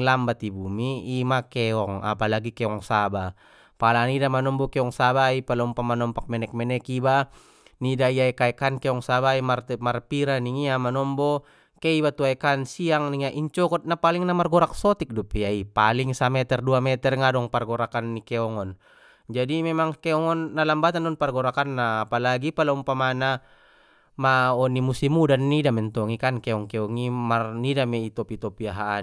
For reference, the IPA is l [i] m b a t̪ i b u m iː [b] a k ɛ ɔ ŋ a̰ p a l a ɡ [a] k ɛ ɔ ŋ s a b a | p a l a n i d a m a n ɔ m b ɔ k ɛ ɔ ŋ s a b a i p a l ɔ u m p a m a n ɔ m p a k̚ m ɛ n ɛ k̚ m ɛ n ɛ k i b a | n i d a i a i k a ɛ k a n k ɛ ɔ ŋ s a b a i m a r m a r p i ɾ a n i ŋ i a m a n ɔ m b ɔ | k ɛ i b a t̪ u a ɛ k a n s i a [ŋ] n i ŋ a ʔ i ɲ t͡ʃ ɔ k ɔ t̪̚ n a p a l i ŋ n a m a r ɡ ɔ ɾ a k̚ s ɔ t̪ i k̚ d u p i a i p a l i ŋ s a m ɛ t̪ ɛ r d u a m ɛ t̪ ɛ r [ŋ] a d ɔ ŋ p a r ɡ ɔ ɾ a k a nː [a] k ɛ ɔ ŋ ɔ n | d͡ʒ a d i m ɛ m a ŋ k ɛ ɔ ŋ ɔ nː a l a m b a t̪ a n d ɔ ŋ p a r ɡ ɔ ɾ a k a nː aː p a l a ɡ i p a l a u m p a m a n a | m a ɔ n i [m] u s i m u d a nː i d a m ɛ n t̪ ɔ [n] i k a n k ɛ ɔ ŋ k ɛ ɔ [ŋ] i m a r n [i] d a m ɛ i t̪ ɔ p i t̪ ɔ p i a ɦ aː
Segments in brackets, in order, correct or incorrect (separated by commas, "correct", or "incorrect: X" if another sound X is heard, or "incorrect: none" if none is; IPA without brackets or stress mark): incorrect: a, incorrect: m, incorrect: i, correct, correct, incorrect: i, correct, incorrect: ŋ, correct, correct